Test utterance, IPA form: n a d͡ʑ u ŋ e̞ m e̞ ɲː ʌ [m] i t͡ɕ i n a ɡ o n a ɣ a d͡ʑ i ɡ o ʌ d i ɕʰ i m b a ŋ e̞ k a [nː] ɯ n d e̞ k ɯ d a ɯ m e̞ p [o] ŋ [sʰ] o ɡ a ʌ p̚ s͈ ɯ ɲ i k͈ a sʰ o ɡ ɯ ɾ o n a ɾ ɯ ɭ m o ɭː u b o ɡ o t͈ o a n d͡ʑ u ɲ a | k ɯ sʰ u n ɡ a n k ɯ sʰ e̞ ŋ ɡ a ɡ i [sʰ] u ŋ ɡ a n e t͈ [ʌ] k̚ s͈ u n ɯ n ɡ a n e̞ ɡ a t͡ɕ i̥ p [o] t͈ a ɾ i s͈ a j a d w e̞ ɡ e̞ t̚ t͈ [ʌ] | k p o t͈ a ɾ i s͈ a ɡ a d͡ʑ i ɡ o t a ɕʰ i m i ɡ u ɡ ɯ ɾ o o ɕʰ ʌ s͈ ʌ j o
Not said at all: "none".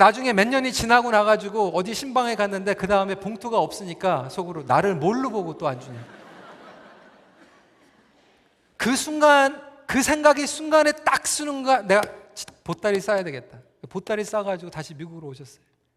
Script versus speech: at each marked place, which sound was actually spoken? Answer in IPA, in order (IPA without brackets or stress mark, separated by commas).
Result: ɲ, nː, o, tʰ, sʰ, a, o, a